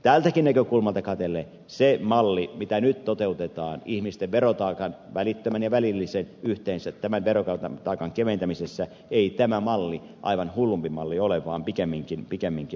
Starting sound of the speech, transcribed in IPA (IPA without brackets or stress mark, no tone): t̪